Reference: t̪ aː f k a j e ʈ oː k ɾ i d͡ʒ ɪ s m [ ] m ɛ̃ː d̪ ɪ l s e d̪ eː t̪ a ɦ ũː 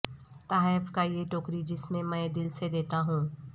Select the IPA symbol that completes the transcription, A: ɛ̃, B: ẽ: B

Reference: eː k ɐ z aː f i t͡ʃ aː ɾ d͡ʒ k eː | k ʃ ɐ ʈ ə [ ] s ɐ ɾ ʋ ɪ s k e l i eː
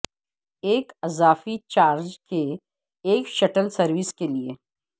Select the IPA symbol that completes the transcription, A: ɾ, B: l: B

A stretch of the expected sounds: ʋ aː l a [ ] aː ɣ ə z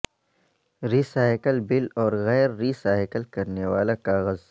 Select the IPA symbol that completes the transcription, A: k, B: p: A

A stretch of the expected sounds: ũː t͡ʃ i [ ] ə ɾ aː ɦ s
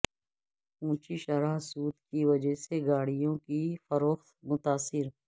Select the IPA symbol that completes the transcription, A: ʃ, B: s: A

